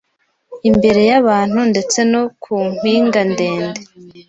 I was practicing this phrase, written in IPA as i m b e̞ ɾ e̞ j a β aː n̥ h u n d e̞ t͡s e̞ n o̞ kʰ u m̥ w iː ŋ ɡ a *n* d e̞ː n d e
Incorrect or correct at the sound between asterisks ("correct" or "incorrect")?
correct